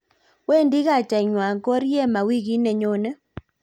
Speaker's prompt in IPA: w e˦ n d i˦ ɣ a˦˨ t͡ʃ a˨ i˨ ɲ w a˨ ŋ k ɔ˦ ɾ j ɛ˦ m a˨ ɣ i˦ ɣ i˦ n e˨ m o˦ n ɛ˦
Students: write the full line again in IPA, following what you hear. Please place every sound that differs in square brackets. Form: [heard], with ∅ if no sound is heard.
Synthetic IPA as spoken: w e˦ n d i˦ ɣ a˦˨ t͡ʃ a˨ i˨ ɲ w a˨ ŋ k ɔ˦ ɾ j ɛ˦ m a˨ [w] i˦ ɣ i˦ n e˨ [ɲ] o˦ n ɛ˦

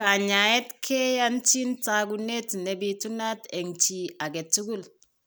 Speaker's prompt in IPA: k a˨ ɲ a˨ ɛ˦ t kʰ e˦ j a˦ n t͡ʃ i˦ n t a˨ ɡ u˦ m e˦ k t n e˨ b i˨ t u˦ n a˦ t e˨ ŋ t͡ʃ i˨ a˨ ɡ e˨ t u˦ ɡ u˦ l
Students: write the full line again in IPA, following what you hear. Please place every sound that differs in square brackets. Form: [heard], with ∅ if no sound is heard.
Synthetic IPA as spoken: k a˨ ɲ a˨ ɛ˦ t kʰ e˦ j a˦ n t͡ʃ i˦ n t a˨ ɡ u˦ [n] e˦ [∅] t n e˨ b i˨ t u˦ n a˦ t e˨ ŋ t͡ʃ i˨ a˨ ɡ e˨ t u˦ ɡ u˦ l

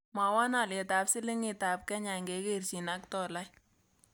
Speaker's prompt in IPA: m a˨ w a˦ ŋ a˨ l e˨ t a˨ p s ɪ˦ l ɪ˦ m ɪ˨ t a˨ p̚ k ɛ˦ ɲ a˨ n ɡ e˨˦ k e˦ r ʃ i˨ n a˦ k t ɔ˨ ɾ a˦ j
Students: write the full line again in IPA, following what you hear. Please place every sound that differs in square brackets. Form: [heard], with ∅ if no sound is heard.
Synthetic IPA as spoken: m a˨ w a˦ [n] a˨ l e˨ t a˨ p s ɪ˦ l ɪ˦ [ŋ] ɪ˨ t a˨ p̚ k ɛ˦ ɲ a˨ [ŋ] ɡ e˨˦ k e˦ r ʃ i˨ n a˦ k t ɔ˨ [l] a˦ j

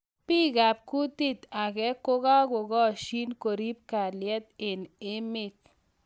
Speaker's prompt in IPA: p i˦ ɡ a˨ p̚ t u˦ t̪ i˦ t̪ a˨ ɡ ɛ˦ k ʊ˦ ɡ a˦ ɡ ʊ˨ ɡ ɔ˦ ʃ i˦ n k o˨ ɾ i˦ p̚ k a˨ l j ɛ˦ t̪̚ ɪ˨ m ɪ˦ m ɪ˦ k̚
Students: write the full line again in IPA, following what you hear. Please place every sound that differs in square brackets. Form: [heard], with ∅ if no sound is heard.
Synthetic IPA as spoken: p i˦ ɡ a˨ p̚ [k] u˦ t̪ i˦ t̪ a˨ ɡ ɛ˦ k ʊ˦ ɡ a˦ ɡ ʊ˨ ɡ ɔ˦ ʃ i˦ n k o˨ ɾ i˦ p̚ k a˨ l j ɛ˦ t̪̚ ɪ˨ [n] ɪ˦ m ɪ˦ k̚

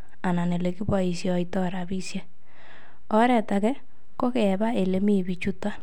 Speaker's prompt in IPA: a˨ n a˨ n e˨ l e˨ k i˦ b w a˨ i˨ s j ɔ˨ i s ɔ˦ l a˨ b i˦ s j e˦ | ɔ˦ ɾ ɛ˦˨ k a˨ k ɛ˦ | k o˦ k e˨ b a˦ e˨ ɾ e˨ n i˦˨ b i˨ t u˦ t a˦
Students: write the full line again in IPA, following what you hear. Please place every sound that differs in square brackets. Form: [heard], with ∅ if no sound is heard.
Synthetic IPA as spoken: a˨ n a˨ n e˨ l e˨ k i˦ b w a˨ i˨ s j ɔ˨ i [t] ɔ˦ [ɾ] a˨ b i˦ s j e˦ | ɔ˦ ɾ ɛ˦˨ [t] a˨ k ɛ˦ | k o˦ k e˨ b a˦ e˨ [l] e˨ [m] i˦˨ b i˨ [t͡ʃ] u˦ t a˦

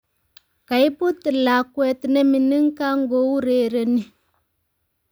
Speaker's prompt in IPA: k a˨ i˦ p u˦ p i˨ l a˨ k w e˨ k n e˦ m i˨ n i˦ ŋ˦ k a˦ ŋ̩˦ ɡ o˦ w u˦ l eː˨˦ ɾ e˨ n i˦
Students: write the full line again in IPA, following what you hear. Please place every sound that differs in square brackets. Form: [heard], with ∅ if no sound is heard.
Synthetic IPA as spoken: k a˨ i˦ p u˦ [t] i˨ l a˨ k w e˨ [t] n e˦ m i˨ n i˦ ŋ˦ k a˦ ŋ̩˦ ɡ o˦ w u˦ [ɾ] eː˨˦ ɾ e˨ n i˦

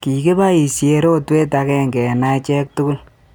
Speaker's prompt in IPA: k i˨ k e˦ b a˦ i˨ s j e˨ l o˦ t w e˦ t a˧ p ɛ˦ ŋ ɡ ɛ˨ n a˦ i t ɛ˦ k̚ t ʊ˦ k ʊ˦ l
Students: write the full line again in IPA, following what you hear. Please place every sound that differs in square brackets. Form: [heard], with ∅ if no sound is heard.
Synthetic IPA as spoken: k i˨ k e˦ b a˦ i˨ s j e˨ [ɾ] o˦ t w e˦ t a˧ [k] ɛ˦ ŋ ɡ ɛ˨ n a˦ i [t͡ʃ] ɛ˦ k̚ t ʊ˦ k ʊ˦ l

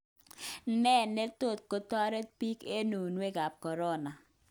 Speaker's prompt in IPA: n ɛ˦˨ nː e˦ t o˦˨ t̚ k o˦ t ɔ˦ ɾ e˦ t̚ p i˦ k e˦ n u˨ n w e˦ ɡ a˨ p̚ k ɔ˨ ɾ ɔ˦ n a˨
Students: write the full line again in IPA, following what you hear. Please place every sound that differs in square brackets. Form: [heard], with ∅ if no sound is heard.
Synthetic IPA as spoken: n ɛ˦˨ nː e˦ t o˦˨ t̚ k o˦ t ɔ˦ ɾ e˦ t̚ p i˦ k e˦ n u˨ n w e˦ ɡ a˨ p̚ k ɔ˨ ɾ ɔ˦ n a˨

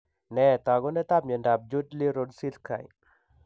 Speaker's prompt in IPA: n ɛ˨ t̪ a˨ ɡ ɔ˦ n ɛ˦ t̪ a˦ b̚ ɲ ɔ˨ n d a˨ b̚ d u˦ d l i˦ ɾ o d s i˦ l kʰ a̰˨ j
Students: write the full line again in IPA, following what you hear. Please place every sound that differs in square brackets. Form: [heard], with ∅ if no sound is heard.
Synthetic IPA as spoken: n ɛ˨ t̪ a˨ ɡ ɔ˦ n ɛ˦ t̪ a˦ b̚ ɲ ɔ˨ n d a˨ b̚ [d͡ʒ] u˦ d l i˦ ɾ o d s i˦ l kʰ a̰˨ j

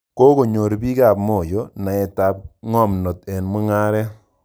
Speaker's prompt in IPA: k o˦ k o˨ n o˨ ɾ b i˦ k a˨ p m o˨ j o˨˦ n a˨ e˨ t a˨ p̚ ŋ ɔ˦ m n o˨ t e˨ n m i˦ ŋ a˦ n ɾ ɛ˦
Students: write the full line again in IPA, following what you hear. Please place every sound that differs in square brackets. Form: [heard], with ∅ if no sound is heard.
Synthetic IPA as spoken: k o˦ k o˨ [ɲ] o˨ ɾ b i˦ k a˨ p m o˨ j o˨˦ n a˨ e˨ t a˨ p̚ ŋ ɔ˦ m n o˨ t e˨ n m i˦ ŋ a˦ [∅] ɾ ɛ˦

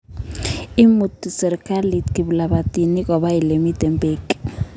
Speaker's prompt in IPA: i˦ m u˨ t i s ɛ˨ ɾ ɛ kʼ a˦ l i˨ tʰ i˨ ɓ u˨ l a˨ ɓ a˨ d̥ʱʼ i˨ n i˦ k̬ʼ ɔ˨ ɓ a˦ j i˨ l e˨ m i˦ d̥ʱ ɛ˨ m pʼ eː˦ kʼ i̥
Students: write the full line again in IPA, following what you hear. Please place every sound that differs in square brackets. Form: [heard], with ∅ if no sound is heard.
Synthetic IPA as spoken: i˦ m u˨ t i s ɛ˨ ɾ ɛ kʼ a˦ l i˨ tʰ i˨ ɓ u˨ l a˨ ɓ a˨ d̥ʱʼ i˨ n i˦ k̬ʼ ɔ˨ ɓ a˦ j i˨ l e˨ m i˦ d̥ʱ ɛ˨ m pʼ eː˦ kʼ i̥

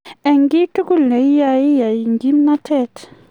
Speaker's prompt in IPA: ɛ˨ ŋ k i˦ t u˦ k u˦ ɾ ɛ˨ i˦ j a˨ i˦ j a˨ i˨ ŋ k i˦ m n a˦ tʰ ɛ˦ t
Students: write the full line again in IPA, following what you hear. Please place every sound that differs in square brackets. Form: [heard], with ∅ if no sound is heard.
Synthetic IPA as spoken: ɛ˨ ŋ [ɡ] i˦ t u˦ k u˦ [l] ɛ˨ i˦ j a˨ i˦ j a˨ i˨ ŋ [ɡ] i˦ m n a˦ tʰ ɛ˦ t

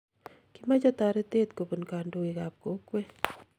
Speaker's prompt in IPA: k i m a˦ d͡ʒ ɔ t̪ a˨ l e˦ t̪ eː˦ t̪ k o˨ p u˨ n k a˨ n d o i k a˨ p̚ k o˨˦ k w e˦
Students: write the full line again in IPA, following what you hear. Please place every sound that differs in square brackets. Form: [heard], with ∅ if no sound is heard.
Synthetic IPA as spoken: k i m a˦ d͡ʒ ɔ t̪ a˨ [ɾ] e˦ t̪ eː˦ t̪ k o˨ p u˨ n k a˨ n d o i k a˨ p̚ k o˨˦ k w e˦

